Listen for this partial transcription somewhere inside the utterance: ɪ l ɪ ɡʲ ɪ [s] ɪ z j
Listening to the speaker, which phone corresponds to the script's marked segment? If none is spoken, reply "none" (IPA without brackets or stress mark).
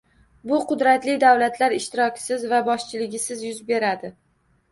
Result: s